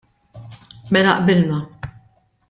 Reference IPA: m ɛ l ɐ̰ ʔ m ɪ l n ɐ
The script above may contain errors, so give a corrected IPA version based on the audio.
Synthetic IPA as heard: m ɛ l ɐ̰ ʔ b ɪ l n ɐ